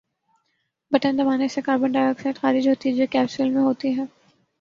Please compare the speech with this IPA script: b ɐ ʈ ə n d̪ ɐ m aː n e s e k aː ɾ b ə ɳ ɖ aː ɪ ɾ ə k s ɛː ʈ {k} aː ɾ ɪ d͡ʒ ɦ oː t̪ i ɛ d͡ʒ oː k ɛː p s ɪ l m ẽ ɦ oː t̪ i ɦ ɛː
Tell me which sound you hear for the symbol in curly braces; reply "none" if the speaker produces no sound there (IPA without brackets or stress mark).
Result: x